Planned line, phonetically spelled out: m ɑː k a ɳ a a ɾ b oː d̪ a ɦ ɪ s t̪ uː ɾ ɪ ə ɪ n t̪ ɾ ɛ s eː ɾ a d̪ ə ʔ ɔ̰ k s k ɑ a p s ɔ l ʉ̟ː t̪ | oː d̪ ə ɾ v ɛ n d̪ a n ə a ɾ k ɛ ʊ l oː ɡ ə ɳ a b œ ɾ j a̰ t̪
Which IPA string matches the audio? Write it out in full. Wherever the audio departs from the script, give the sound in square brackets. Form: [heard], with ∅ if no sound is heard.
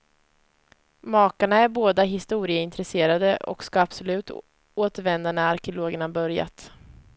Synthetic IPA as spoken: m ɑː k a ɳ a [æ] ɾ b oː d̪ a ɦ ɪ s t̪ uː ɾ ɪ ə ɪ n t̪ ɾ ɛ s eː ɾ a d̪ ə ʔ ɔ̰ k s k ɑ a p s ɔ l ʉ̟ː t̪ | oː [t̪] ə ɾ v ɛ n d̪ a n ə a ɾ k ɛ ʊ l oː ɡ ə ɳ a b œ ɾ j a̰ t̪